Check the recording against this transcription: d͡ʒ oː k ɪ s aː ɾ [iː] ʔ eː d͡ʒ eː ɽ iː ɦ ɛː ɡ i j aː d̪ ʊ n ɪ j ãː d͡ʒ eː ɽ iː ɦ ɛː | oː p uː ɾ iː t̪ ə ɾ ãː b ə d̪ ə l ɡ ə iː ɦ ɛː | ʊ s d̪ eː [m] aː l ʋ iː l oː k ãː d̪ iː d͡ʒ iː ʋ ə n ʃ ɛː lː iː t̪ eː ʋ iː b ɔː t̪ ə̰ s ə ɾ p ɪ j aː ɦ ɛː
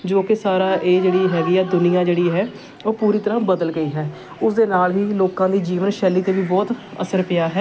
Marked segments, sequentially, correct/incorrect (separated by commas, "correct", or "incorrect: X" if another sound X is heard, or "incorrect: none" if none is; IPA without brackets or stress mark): incorrect: aː, incorrect: n